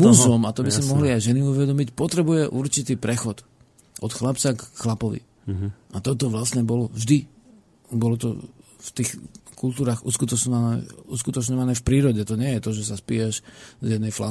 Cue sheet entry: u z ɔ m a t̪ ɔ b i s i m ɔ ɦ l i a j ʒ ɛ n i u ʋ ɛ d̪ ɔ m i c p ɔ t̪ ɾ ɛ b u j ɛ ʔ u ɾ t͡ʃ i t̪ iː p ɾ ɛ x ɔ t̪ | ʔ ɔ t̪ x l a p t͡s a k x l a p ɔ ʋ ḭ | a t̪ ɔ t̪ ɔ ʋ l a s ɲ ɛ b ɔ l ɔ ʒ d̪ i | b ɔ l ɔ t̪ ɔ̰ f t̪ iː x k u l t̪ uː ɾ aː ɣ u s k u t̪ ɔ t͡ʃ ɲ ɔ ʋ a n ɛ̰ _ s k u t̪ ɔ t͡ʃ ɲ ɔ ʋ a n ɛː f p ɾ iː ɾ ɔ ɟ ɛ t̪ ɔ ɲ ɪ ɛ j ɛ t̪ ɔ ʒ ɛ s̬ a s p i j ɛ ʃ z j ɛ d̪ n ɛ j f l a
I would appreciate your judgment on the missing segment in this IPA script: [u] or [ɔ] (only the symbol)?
u